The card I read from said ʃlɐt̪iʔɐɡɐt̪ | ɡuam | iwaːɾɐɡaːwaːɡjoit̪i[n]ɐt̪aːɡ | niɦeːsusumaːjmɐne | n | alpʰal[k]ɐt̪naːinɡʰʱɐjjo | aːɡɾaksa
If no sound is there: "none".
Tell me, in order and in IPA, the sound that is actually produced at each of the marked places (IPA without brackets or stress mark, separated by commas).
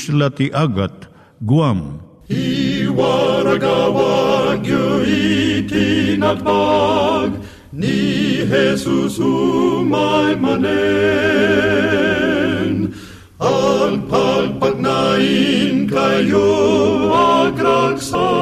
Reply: n, p